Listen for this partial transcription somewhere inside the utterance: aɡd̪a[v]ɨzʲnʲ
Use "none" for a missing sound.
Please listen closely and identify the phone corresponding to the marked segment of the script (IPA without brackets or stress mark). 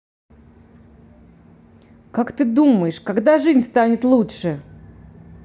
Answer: ʐ